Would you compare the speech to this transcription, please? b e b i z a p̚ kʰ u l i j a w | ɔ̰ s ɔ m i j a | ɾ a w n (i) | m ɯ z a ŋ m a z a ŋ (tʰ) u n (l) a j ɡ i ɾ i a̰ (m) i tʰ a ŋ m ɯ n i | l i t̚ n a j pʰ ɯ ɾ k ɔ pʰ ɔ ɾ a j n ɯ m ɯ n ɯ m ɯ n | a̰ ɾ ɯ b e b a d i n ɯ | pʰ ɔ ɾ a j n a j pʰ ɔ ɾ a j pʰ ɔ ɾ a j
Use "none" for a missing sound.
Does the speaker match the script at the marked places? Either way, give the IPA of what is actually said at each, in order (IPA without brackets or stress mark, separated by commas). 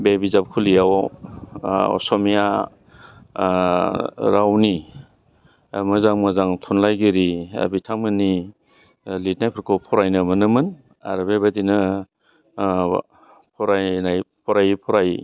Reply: i, tʰ, l, b